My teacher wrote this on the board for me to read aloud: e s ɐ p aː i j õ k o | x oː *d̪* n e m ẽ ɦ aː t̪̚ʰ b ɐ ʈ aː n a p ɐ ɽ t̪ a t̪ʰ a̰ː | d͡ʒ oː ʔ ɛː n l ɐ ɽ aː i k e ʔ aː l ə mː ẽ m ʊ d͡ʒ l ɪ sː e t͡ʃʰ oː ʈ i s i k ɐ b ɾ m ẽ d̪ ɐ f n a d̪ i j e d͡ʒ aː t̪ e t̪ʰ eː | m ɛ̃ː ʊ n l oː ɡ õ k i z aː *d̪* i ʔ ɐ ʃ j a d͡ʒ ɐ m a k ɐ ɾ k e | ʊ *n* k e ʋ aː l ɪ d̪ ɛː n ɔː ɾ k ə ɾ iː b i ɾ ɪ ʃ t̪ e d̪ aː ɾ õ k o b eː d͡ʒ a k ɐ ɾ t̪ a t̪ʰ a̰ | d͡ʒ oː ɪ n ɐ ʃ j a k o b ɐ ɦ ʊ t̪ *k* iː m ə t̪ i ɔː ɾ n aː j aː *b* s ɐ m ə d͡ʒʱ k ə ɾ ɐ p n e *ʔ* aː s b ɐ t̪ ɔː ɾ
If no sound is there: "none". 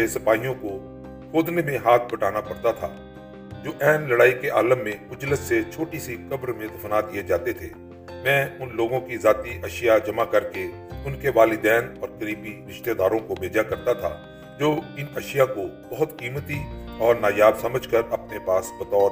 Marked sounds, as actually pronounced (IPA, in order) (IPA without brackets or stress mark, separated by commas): d̪, t̪, n, k, b, p